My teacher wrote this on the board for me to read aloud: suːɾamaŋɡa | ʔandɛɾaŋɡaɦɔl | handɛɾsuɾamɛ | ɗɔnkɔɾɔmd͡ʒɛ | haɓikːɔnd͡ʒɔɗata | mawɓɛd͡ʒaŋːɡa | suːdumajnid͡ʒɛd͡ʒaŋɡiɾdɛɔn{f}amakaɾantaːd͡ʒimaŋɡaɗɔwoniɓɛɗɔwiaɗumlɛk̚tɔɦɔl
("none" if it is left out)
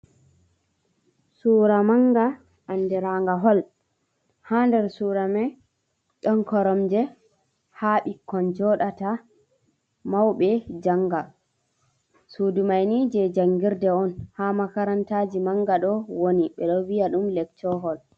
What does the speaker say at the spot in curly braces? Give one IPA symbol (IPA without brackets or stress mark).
h